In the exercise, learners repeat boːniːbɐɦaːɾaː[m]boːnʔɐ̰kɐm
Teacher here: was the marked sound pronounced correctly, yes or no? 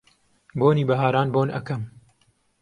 no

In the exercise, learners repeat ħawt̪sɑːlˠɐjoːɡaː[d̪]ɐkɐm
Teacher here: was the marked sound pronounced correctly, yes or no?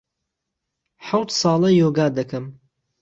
yes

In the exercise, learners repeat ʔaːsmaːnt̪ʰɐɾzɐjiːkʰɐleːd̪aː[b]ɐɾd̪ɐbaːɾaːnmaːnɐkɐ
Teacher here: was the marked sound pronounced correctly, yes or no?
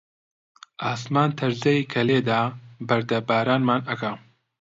yes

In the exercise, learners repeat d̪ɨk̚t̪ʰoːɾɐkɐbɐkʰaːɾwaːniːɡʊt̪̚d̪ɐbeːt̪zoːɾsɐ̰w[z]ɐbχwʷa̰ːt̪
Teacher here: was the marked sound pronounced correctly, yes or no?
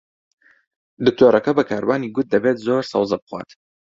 yes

